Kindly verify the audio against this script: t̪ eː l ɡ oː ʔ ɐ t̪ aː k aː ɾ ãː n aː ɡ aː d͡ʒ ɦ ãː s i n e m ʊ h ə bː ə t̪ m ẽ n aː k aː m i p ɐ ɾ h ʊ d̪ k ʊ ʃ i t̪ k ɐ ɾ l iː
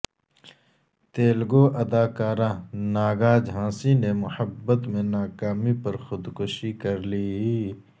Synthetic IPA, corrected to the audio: t̪ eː l ɡ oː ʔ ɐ d̪ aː k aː ɾ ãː n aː ɡ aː d͡ʒ ɦ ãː s i n e m ʊ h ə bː ə t̪ m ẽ n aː k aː m i p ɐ ɾ x ʊ d̪ k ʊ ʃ i k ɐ ɾ l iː